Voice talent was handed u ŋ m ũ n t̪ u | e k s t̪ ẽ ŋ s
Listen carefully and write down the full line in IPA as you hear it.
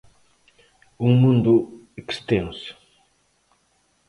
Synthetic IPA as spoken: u ŋ m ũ n d̪ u | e k s t̪ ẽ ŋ s